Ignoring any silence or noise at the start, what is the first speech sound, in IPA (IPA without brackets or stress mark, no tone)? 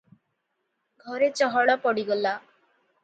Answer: ɡʱ